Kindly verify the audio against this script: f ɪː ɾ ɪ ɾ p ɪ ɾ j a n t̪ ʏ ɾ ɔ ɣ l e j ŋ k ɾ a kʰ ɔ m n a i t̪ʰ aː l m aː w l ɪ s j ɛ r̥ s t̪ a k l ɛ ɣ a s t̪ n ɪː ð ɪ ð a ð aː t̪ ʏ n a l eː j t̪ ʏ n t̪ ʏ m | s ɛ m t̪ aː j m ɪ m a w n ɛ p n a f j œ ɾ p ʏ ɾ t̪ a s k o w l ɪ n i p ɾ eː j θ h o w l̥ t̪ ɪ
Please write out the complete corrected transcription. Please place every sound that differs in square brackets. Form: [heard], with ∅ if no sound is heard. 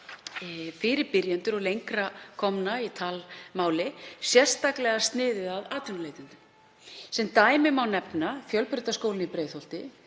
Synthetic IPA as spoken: f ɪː ɾ ɪ ɾ p ɪ ɾ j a n t̪ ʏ ɾ ɔ ɣ l e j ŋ k ɾ a kʰ ɔ m n a i t̪ʰ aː l m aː w l ɪ s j ɛ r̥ s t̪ a k l ɛ ɣ a s t̪ n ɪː ð ɪ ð a ð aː t̪ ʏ n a l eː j t̪ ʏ n t̪ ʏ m | s ɛ m t̪ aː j m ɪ m a w n ɛ p n a f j œ [l] p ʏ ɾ t̪ a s k o w l ɪ n i p ɾ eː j θ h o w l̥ t̪ ɪ

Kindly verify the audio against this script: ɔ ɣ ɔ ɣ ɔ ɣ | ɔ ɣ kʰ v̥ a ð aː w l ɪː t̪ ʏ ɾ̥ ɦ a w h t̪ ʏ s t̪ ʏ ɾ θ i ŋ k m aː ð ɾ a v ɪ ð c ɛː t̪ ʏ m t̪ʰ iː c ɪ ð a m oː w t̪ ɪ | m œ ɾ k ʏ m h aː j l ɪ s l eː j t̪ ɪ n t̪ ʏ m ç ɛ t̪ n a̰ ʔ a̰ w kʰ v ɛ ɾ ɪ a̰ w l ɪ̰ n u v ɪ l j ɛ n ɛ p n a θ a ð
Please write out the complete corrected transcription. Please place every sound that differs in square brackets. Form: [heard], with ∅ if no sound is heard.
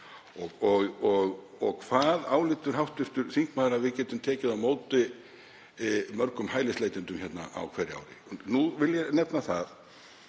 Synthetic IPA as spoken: ɔ ɣ ɔ ɣ ɔ ɣ | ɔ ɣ kʰ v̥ a ð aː w l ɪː t̪ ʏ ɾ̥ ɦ a w h t̪ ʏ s t̪ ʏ ɾ θ i ŋ k m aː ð ɾ a v ɪ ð c ɛː t̪ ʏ m t̪ʰ [ɛː] c ɪ ð a m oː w t̪ ɪ | m œ ɾ k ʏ m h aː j l ɪ s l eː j t̪ ɪ n t̪ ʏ m ç ɛ t̪ n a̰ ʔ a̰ w kʰ v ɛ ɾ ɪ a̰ w [ɾ] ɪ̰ n u v ɪ l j ɛ n ɛ p n a θ a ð

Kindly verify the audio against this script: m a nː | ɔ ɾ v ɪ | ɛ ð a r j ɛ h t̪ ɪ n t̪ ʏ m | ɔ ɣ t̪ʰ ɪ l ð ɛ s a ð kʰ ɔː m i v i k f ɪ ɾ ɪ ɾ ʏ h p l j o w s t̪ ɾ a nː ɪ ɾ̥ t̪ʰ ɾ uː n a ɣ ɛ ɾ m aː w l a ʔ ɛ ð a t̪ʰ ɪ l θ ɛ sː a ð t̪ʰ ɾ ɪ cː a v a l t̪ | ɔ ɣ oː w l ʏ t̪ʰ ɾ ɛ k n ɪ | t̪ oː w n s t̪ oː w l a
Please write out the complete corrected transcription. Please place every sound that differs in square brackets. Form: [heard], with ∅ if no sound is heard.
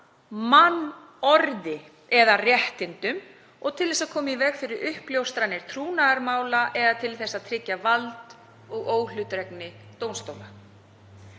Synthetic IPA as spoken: m a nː | ɔ ɾ [ð] ɪ | ɛ ð a r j ɛ h t̪ ɪ n t̪ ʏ m | ɔ ɣ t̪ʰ ɪ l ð ɛ s a ð kʰ ɔː m i v [ɛ] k f ɪ ɾ ɪ ɾ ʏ h p l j o w s t̪ ɾ a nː ɪ ɾ̥ t̪ʰ ɾ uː n a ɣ [a] ɾ m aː w l a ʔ ɛ ð a t̪ʰ ɪ l θ ɛ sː a ð t̪ʰ ɾ ɪ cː a v a l t̪ | ɔ ɣ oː w l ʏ [t̪] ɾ ɛ k n ɪ | t̪ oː w n s t̪ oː w l a

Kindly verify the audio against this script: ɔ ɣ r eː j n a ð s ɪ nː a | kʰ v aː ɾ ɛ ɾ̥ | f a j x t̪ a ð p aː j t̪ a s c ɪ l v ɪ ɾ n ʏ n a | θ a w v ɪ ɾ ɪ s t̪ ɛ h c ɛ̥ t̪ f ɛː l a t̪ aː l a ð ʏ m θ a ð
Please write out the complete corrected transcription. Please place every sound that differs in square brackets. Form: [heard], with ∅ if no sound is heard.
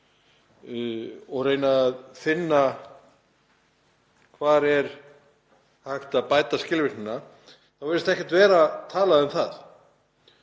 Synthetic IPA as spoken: ɔ ɣ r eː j n a ð [f] ɪ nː a | kʰ v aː ɾ ɛ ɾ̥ | [h] a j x t̪ a ð p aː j t̪ a s c ɪ l v ɪ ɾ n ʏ n a | θ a w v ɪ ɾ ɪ s t̪ ɛ h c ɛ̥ t̪ [v] ɛː [ɾ] a [t̪ʰ] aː l a ð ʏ m θ a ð

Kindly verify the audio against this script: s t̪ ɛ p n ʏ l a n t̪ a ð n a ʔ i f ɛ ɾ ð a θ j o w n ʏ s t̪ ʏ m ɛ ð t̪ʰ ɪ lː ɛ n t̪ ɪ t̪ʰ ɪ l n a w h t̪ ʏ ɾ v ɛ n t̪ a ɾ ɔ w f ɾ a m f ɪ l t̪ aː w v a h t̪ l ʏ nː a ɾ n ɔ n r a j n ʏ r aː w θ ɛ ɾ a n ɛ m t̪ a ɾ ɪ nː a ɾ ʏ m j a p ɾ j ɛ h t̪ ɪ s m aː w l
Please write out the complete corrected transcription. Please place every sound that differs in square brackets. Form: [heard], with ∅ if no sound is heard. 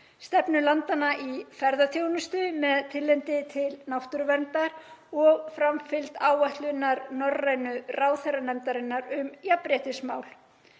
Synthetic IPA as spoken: s t̪ ɛ p n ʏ l a n t̪ a [∅] n a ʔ i f ɛ ɾ ð a θ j o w n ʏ s t̪ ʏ m ɛ ð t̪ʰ ɪ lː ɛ n t̪ ɪ t̪ʰ ɪ l n a w h t̪ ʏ ɾ v ɛ n t̪ a ɾ ɔ [ɣ] f ɾ a m f ɪ l t̪ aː w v a h t̪ l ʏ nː a ɾ n ɔ [∅] r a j n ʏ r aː w θ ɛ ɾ a n ɛ m t̪ a ɾ ɪ nː a ɾ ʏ m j a p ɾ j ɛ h t̪ ɪ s m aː w l

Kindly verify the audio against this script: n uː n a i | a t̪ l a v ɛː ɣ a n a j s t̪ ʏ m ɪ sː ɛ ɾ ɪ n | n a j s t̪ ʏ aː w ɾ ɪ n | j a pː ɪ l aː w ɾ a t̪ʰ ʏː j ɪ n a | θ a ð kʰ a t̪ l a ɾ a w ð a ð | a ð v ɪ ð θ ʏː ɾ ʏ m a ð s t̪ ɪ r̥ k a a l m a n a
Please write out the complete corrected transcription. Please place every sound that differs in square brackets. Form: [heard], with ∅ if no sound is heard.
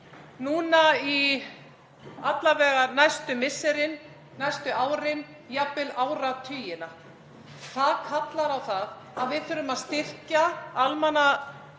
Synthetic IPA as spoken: n uː n a i | a t̪ l a v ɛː ɣ a n a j s t̪ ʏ m ɪ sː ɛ ɾ ɪ n | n a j s t̪ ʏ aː w ɾ ɪ n | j a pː ɪ l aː w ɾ a t̪ʰ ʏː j ɪ n a | θ a ð kʰ a t̪ l a ɾ a w [θ] a ð | a ð v ɪ ð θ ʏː ɾ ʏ m a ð s t̪ ɪ r̥ [c] a a l m a n a

